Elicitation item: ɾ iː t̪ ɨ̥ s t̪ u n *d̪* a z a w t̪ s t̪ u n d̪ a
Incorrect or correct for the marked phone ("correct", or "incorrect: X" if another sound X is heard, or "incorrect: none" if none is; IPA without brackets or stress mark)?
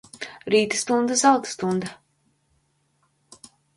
correct